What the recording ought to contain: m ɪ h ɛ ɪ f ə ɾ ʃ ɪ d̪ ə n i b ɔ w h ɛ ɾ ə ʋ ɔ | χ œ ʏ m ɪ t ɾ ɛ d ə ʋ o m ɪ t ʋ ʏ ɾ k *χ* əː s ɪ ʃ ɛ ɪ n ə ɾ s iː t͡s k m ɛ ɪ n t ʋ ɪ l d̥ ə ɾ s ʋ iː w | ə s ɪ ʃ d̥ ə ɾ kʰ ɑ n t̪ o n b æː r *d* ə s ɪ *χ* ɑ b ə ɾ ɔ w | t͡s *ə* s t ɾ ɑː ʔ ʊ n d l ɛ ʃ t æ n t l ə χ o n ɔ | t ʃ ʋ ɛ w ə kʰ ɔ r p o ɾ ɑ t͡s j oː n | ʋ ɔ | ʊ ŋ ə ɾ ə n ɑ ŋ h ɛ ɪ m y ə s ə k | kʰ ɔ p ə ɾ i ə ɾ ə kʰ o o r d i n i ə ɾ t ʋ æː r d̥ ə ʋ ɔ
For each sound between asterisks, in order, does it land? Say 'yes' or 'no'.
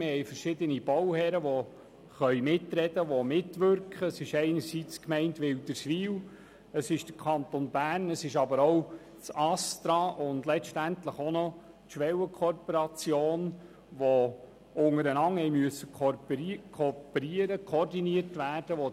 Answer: yes, no, no, no

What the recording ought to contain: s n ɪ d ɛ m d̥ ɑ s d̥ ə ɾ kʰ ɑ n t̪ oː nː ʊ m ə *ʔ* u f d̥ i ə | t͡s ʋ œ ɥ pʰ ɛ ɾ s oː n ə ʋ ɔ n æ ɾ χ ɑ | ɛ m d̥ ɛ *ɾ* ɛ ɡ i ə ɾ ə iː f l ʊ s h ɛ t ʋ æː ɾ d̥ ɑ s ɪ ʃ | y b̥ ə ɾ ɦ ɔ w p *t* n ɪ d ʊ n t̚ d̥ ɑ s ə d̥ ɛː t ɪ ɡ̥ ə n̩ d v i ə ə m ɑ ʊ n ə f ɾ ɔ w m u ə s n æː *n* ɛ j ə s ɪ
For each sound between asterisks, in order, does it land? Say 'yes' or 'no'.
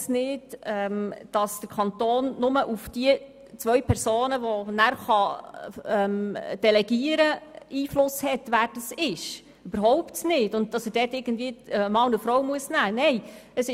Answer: yes, no, yes, yes

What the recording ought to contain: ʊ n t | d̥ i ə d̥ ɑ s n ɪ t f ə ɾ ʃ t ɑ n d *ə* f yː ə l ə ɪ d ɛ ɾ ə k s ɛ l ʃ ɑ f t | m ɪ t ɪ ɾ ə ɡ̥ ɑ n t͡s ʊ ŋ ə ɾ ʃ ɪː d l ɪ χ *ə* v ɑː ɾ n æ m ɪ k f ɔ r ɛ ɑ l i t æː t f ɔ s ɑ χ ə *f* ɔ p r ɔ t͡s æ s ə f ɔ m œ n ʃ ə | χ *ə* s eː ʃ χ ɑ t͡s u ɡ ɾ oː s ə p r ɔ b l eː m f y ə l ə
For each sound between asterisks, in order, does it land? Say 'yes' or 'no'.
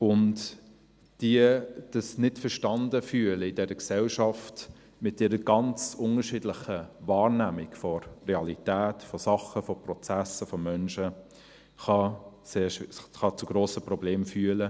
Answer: yes, yes, yes, no

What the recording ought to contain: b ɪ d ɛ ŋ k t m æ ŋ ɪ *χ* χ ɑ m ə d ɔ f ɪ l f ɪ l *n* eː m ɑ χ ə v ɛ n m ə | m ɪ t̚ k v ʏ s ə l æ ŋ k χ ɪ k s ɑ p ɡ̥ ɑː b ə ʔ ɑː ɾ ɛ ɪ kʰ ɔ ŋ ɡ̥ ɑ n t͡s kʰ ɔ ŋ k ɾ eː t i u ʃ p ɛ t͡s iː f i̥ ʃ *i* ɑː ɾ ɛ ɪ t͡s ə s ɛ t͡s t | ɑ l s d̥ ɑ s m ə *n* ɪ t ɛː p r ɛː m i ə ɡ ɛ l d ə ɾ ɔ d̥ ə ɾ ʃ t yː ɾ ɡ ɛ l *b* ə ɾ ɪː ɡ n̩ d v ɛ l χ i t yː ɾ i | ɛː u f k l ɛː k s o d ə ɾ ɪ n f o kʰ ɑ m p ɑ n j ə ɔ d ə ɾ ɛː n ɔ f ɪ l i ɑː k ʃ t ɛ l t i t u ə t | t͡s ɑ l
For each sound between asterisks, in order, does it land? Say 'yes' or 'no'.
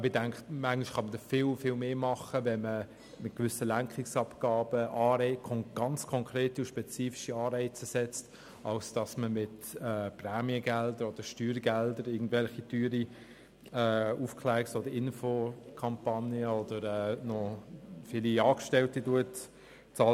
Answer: no, no, yes, no, no

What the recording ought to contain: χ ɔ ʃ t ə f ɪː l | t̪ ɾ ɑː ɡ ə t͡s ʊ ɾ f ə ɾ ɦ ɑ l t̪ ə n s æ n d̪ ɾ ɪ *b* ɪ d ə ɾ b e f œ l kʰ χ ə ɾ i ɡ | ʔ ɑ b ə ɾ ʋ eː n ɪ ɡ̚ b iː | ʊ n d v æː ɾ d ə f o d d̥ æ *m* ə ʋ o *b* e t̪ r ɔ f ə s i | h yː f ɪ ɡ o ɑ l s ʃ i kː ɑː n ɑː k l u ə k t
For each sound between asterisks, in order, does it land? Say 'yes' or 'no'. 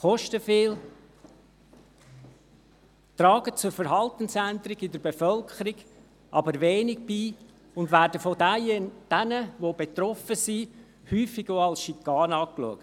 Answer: no, no, yes

